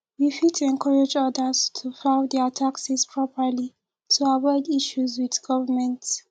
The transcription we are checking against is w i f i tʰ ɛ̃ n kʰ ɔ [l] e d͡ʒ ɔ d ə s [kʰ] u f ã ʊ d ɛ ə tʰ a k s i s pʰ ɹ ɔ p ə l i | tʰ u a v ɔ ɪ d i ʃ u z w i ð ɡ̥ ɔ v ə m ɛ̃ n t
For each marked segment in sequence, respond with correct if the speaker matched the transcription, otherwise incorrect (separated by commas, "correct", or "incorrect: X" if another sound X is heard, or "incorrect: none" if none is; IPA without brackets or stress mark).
incorrect: ɹ, incorrect: tʰ